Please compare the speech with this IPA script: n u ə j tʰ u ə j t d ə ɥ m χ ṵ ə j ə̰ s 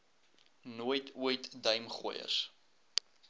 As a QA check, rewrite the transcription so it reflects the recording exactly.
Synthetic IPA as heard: n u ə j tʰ u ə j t d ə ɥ m χ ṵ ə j ə̰ s

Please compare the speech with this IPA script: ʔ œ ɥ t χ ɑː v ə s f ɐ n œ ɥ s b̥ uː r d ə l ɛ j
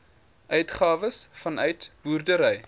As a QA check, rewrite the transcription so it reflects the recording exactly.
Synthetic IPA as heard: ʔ œ ɥ t χ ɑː v ə s f ɐ n œ ɥ t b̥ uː r d ə ɾ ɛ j

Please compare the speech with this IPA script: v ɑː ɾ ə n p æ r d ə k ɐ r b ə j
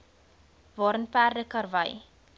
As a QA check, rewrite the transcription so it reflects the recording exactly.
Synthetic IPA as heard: v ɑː ɾ ə n p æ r d ə k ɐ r v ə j

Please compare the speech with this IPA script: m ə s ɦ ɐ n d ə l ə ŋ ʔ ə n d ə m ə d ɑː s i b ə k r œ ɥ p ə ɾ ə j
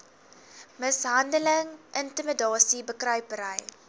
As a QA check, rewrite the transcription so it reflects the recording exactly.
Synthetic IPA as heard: m ə s ɦ ɐ n d ə l ə ŋ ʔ ə n t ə m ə d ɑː s i b ə k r œ ɥ p ə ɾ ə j

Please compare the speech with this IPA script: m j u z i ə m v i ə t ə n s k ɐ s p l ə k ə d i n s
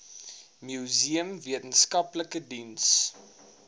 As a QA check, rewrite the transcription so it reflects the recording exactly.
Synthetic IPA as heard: m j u z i ə m v i ə t ə n s k ɐ p l ə k ə d i n s

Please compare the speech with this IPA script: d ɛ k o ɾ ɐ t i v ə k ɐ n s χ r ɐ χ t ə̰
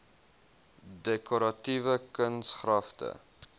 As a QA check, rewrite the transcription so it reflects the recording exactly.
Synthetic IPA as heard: d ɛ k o ɾ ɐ t i v ə k ə n s χ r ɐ f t ə̰

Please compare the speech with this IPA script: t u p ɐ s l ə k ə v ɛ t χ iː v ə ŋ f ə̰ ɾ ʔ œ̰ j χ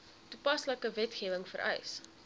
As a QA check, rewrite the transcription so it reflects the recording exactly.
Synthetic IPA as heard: t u p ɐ s l ə k ə v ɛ t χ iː v ə ŋ f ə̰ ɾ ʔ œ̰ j s

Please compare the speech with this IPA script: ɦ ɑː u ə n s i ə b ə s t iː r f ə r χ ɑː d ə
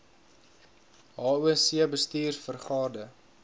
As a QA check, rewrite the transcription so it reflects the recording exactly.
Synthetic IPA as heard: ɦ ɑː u ə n s i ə b ə s t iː r f ə r χ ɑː d ə

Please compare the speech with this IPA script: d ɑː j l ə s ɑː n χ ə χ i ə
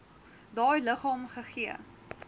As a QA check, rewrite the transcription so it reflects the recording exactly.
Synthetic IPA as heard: d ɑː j l ə χ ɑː m χ ə χ i ə

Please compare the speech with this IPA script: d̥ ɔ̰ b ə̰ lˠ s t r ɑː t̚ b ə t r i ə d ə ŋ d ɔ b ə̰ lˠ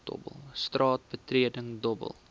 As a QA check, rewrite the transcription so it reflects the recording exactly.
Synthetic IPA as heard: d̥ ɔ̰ b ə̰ lˠ s t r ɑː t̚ b ə t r i ə d ə ŋ d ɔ b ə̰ lˠ

